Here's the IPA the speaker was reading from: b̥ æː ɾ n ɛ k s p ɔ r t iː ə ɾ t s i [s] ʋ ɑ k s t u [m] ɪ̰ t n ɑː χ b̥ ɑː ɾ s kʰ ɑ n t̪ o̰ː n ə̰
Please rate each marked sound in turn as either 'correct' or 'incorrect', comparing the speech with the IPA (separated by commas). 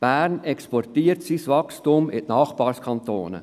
correct, correct